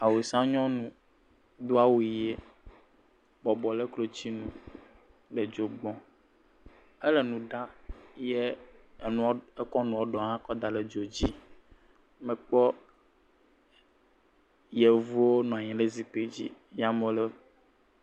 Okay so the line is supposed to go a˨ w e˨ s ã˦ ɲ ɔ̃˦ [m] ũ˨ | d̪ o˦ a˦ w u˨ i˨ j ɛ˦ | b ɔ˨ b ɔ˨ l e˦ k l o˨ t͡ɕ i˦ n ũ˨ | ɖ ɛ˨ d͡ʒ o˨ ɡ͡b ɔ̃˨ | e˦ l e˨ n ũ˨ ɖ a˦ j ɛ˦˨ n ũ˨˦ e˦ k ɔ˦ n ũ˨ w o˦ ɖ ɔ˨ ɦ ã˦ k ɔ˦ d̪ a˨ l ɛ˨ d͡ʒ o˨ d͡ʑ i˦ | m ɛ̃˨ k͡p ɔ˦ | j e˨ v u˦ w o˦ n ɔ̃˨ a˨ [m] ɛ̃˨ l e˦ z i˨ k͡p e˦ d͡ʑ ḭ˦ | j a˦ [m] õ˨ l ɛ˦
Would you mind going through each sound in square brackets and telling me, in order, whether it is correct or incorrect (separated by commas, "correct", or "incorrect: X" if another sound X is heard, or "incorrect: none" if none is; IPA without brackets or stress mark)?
incorrect: n, incorrect: ɲ, correct